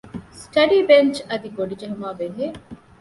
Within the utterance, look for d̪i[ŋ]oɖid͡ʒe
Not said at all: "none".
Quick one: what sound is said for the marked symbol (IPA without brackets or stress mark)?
ɡ